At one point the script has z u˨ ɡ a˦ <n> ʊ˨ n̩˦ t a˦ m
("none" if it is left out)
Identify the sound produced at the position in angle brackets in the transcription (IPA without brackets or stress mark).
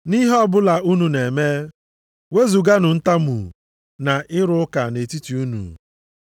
n